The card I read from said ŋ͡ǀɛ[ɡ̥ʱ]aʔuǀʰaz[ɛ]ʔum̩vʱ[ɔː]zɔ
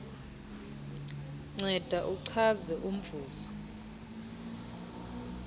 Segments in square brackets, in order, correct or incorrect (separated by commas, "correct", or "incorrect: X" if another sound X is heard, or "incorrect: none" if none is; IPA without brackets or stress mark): incorrect: d̥ʱ, correct, incorrect: uː